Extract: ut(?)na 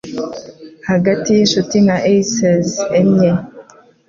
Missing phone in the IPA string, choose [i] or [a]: i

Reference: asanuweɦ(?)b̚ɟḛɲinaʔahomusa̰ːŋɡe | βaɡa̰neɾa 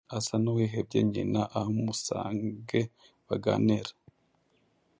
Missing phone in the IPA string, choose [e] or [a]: e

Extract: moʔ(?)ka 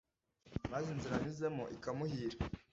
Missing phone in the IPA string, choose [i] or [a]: i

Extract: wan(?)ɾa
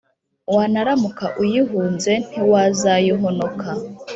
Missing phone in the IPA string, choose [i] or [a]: a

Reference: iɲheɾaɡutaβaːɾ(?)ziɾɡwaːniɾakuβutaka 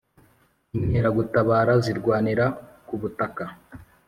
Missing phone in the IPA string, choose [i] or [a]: a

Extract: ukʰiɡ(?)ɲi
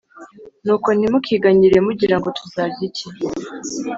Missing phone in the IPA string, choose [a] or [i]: a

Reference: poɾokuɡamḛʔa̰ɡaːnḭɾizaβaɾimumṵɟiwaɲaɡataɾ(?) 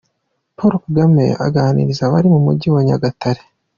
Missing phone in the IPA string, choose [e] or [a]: e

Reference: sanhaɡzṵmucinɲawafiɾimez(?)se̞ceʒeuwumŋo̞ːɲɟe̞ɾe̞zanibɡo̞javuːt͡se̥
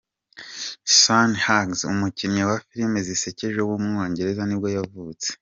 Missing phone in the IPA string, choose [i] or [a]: i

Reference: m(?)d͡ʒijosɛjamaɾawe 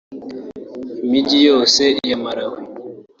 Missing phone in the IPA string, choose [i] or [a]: i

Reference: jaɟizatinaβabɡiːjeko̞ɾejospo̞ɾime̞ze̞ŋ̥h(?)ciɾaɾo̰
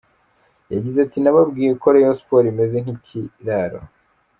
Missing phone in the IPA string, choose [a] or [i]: i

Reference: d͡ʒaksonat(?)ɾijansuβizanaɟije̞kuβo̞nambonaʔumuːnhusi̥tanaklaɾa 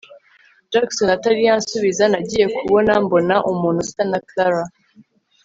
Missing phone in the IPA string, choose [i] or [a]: a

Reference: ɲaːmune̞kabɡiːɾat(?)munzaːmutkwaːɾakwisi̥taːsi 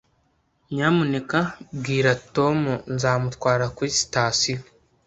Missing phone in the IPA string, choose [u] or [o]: o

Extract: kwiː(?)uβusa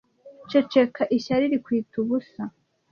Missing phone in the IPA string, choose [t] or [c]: t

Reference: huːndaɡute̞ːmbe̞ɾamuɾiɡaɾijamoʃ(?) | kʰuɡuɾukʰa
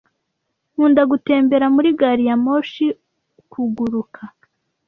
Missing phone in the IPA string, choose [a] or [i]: i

